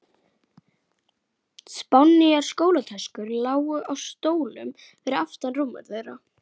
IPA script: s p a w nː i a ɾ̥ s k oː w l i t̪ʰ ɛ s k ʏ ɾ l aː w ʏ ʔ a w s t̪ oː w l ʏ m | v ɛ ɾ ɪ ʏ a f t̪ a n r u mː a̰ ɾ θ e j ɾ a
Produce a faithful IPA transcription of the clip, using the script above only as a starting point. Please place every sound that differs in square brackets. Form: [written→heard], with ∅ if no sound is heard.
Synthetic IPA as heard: s p a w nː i a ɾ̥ s k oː w l [i→a] t̪ʰ ɛ s k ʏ ɾ l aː w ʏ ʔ a w s t̪ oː w l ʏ m | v ɛ ɾ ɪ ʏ a f t̪ a n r u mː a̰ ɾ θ e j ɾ a